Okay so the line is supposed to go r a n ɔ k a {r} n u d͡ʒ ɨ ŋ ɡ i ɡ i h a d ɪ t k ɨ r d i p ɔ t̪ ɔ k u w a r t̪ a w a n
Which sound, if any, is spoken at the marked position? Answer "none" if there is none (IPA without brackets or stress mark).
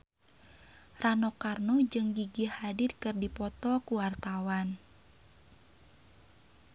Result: r